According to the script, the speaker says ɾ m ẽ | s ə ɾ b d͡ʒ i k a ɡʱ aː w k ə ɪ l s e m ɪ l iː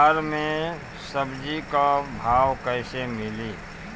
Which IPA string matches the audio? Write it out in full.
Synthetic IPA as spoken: ɾ m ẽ | s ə b d͡ʒ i k a bʱ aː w k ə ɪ s e m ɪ l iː